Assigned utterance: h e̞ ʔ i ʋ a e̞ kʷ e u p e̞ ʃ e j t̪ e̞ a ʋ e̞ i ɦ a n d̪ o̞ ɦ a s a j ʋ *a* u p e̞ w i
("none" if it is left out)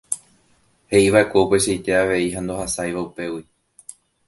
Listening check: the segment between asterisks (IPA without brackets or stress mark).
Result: a